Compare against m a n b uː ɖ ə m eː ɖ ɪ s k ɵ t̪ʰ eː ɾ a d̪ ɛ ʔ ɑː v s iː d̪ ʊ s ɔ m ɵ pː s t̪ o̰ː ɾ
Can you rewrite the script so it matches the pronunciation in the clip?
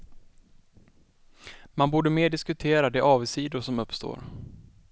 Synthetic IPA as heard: m a n b uː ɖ ə m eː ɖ ɪ s k ɵ t̪ʰ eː ɾ a d̪ ɛ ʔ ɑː v s iː d̪ ʊ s ɔ m ɵ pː s t̪ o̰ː ɾ

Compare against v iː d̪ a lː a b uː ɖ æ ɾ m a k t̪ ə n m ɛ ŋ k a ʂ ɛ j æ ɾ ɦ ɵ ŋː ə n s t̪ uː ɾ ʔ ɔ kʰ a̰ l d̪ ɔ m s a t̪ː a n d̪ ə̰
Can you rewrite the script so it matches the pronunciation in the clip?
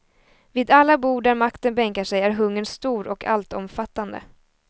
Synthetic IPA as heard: v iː d̪ a lː a b uː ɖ æ ɾ m a k t̪ ə n b ɛ ŋ k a ʂ ɛ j æ ɾ ɦ ɵ ŋː ə n s t̪ uː ɾ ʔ ɔ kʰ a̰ l t̪ ɔ m f a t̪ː a n d̪ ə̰

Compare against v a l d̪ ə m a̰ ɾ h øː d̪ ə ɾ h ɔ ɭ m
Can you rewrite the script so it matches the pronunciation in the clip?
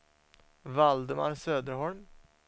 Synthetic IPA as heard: v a l d̪ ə m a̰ ɾ s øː d̪ ə ɾ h ɔ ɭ m

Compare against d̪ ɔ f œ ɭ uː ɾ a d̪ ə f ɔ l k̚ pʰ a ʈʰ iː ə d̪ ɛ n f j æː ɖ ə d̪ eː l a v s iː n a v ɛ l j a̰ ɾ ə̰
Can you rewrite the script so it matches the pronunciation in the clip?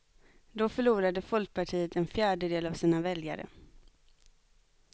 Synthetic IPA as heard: d̪ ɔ f œ ɭ uː ɾ a d̪ ə f ɔ l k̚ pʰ a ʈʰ iː ə t̪ ɛ n f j æː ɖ ə d̪ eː l a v s iː n a v ɛ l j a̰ ɾ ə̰

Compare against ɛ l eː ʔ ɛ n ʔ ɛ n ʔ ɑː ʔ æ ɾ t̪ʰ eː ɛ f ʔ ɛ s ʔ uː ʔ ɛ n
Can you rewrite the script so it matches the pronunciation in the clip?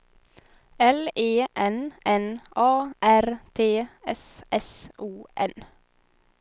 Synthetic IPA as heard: ɛ l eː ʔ ɛ n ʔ ɛ n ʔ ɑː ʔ æ ɾ t̪ʰ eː ɛ s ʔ ɛ s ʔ uː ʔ ɛ n

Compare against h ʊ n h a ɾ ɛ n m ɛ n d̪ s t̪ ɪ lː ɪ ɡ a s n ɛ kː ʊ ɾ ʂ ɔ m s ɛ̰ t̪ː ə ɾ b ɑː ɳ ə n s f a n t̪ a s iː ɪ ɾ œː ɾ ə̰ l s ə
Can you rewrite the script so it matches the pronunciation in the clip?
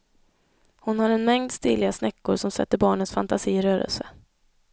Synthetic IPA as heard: h ʊ n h a ɾ ɛ n m ɛ ŋ d̪ s t̪ ɪ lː ɪ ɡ a s n ɛ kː ʊ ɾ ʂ ɔ m s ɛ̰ t̪ː ə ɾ b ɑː ɳ ə n s f a n t̪ a s iː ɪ ɾ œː ɾ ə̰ l s ə

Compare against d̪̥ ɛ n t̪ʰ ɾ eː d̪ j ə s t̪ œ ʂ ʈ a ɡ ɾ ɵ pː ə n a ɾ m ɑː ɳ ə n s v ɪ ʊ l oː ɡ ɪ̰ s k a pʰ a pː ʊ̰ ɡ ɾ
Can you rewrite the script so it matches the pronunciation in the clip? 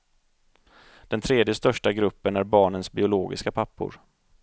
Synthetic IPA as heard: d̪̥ ɛ n t̪ʰ ɾ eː d̪ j ə s t̪ œ ʂ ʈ a ɡ ɾ ɵ pː ə n æ ɾ b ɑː ɳ ə n s b ɪ ʊ l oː ɡ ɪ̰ s k a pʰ a pː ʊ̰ ɾ

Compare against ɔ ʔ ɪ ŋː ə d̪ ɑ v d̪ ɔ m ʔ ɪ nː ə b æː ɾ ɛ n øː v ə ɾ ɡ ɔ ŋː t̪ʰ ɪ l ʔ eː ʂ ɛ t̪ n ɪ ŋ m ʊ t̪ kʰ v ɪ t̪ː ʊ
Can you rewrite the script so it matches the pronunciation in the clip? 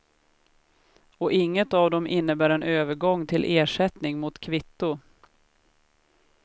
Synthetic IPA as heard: ɔ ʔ ɪ ŋː ə t̪ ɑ v d̪ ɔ m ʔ ɪ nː ə b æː ɾ ɛ n øː v ə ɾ ɡ ɔ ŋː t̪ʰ ɪ l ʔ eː ʂ ɛ t̪ n ɪ ŋ m ʊ t̪ kʰ v ɪ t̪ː ʊ

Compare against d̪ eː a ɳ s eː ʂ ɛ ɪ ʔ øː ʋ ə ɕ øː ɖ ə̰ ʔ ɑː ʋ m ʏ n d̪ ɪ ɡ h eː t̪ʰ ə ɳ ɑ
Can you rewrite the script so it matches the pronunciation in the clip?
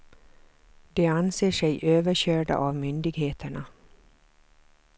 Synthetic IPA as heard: d̪ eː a n s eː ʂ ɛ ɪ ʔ øː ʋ ə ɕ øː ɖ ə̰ ʔ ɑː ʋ m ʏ n d̪ ɪ ɡ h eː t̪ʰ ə ɳ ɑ

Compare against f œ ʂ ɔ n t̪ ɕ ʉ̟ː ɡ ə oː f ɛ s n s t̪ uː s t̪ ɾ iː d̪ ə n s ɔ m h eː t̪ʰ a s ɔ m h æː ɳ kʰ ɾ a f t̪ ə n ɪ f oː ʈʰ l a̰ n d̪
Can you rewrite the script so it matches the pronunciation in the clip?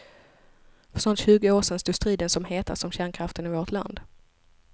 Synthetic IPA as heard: f œ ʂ ɔ n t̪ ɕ ʉ̟ː ɡ ə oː ʂ ɛ n s t̪ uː s t̪ ɾ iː d̪ ə n s ɔ m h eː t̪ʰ a s ɔ m ɕ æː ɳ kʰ ɾ a f t̪ ə n ɪ v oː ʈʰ l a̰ n d̪

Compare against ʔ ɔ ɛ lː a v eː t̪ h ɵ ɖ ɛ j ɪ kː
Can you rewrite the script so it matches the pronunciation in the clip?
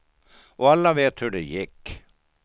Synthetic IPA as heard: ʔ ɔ a lː a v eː t̪ h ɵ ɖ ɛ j ɪ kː

